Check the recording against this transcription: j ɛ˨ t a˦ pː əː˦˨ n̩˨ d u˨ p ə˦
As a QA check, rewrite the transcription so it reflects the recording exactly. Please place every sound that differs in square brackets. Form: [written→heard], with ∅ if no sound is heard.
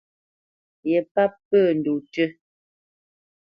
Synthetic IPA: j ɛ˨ [t→p] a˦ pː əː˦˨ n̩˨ d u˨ [p→t] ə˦